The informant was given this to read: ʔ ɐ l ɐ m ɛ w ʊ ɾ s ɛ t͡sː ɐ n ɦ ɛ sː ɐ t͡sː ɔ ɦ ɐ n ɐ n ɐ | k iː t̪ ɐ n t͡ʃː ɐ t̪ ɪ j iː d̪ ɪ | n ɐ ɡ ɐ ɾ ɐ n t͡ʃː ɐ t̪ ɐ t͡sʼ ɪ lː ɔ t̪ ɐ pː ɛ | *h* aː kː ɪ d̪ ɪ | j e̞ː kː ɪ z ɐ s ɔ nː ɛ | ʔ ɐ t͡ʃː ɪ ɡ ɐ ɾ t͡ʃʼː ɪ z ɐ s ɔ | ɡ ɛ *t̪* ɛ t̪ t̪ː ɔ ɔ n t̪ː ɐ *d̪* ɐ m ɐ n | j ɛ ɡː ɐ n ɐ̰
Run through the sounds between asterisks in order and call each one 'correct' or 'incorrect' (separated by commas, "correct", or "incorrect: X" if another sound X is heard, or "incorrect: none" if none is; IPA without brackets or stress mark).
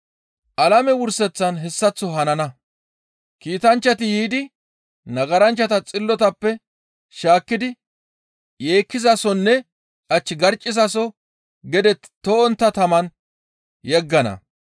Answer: incorrect: ʃ, incorrect: d̪, incorrect: t̪